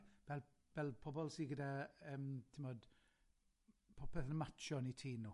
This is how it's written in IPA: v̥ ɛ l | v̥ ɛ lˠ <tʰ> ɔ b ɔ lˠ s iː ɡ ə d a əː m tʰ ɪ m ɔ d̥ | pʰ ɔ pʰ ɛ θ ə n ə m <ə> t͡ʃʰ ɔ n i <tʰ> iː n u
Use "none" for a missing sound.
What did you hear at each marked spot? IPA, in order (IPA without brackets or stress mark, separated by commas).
pʰ, a, tʰ